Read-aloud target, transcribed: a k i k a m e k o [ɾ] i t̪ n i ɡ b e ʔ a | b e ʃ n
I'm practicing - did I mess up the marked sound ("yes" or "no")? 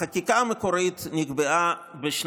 no